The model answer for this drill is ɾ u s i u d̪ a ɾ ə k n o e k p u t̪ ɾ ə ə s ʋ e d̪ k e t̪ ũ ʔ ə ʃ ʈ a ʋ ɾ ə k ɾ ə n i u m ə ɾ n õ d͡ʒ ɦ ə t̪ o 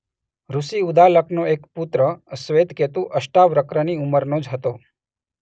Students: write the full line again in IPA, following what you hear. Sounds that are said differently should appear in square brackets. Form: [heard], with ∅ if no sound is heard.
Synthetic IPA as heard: ɾ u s i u d̪ a [l] ə k n o e k p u t̪ ɾ ə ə s ʋ e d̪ k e t̪ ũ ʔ ə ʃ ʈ a ʋ ɾ ə k ɾ ə n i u m ə ɾ n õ d͡ʒ ɦ ə t̪ o